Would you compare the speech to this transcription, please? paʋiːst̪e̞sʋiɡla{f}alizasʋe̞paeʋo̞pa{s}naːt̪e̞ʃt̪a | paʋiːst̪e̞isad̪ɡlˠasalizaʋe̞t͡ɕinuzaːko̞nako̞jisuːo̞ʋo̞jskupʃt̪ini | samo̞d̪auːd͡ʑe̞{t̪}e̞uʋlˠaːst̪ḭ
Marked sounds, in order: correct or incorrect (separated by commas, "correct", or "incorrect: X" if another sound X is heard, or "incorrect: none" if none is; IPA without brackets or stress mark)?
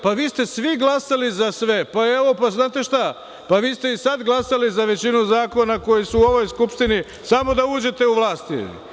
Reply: incorrect: s, incorrect: z, correct